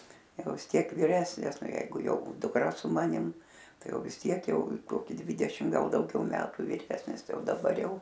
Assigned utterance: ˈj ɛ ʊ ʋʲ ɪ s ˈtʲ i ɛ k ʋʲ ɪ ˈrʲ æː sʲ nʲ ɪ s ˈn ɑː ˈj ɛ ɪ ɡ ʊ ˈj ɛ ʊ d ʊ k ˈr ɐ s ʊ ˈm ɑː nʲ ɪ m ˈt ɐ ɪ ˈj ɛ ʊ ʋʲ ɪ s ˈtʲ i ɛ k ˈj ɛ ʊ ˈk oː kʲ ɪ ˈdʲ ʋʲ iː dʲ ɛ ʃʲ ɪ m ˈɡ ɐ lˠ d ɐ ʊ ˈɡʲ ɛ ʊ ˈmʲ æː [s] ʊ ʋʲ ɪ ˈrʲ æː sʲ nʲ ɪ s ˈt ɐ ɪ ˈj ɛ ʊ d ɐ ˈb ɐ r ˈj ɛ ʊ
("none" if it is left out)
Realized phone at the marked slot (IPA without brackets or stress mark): t